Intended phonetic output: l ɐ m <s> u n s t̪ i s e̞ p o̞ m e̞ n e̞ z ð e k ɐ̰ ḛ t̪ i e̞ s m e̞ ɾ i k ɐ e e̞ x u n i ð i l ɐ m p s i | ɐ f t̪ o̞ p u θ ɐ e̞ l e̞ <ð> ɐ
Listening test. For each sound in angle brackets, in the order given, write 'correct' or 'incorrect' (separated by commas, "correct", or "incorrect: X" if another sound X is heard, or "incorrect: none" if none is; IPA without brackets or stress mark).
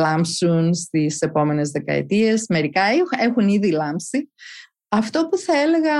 correct, incorrect: ɣ